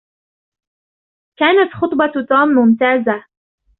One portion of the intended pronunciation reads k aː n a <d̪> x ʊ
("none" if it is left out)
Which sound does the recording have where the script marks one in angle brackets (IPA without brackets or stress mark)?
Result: t̪